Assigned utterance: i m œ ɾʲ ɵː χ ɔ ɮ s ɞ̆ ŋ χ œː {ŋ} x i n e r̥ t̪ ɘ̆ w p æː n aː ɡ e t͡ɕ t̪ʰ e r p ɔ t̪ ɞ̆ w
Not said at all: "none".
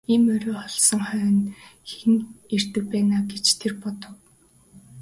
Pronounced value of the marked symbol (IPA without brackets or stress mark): n